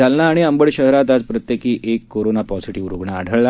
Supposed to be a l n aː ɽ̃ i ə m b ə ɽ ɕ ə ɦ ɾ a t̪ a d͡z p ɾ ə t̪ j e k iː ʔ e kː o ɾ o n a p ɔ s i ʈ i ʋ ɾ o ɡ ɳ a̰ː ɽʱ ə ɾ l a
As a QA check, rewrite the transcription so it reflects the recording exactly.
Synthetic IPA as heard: a l n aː ɽ̃ i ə m b ə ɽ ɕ ə ɦ ɾ a t̪ a d͡z p ɾ ə t̪ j e k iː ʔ e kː o ɾ o n a p ɔ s i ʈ i ʋ ɾ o ɡ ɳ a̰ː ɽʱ ə ɭ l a